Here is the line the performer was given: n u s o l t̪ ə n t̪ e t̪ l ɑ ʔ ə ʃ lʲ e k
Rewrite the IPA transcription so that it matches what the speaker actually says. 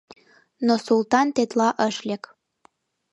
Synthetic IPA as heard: n o s u l t̪ ɑ n t̪ e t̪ l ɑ ʔ ə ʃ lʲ e k